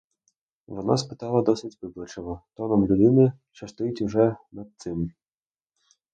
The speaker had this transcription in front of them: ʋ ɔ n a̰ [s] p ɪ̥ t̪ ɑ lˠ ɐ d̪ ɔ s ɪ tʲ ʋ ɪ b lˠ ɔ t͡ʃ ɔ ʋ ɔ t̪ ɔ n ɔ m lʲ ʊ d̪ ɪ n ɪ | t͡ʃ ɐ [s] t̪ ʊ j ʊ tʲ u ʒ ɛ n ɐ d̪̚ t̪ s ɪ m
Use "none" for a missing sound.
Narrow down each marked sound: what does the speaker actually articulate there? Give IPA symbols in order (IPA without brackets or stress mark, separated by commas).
s, s